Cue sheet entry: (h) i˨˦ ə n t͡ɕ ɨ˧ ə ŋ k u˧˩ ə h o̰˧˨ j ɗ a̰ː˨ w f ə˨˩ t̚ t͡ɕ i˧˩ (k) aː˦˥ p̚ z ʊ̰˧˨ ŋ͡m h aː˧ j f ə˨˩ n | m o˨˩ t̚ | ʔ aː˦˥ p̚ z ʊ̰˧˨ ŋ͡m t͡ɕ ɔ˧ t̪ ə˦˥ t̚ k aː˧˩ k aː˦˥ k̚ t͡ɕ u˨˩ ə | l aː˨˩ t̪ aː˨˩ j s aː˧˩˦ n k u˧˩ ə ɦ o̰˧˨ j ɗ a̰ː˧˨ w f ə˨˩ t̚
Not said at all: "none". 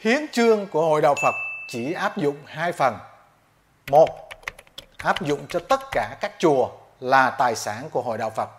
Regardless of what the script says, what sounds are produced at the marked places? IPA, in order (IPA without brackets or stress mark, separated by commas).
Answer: h, ʔ